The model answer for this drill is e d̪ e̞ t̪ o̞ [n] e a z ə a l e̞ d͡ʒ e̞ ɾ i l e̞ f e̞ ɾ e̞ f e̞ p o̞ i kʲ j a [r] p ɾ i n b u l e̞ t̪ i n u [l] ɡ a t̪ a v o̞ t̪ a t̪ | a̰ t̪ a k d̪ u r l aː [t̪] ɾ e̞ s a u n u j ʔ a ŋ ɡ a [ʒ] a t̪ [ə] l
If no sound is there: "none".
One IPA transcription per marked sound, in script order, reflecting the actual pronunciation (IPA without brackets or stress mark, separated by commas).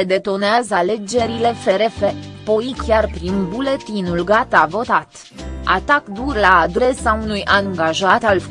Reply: n, r, l, d̪, ʒ, a